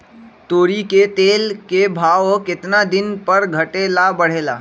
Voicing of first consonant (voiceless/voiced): voiceless